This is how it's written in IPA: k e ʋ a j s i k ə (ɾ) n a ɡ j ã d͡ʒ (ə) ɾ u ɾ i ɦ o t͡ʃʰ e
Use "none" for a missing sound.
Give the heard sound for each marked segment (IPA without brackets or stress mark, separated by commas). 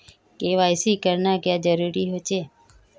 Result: ɾ, ə